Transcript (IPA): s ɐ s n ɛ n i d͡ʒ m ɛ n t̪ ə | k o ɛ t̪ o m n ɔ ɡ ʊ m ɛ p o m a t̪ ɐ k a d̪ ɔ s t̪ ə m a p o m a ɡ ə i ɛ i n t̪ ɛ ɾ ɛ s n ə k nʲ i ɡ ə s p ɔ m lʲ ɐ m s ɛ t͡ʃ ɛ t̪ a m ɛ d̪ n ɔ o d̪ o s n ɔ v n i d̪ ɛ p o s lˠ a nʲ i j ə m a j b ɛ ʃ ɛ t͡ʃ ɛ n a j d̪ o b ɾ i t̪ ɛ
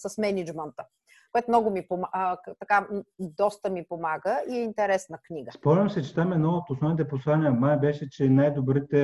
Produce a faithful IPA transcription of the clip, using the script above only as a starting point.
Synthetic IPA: s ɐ s m ɛ n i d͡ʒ m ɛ n t̪ ə | k o ɛ t̪ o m n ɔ ɡ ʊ m i p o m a t̪ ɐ k a d̪ ɔ s t̪ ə m i p o m a ɡ ə i ɛ i n t̪ ɛ ɾ ɛ s n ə k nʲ i ɡ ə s p ɔ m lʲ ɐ m s ɛ t͡ʃ ɛ t̪ a m ɛ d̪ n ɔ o t̪ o s n ɔ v n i t̪ ɛ p o s lˠ a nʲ i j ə m a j b ɛ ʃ ɛ t͡ʃ ɛ n a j d̪ o b ɾ i t̪ ɛ